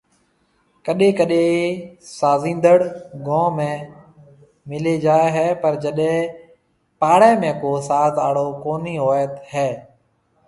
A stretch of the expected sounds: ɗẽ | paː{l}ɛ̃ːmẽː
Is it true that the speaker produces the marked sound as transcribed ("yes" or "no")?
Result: no